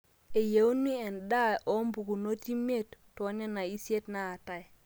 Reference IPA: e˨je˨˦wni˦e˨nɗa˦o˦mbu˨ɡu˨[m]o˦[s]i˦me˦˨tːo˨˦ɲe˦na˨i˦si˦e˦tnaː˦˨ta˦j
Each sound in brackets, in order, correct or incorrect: incorrect, incorrect

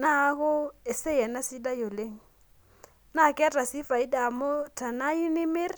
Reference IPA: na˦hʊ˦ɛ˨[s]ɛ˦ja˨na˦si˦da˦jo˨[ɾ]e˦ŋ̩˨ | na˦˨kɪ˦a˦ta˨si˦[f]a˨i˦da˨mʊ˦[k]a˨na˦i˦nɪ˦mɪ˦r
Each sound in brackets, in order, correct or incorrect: correct, incorrect, correct, incorrect

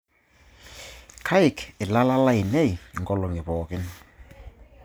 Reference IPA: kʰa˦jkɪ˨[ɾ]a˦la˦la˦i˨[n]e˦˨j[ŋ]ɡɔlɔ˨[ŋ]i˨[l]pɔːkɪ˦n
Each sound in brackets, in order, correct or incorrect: incorrect, correct, correct, correct, incorrect

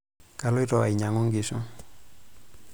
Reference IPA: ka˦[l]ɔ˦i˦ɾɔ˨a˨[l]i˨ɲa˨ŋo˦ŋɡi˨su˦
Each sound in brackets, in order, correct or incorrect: correct, incorrect

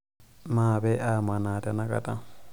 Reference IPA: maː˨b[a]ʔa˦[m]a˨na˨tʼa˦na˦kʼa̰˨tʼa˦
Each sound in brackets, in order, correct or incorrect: incorrect, correct

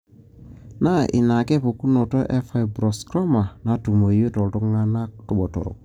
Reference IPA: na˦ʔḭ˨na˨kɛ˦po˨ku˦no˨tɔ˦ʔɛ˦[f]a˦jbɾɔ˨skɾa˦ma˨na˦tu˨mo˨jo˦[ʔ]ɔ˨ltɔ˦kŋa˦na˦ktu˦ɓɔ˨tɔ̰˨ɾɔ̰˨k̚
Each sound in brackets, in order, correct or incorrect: correct, incorrect

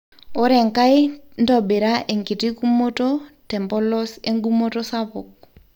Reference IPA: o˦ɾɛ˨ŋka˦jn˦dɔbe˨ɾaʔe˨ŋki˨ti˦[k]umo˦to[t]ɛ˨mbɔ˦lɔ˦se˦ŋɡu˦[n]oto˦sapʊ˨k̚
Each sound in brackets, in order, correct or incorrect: correct, correct, incorrect

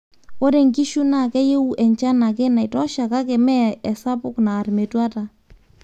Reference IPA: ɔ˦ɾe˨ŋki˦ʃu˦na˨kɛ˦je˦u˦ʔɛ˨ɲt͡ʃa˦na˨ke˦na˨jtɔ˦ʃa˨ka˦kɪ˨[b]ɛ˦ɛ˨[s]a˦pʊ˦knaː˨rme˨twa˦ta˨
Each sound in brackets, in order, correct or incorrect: incorrect, correct

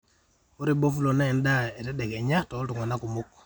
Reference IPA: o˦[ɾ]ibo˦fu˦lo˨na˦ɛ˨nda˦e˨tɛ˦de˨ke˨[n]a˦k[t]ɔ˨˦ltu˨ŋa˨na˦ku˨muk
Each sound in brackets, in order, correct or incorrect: correct, incorrect, correct

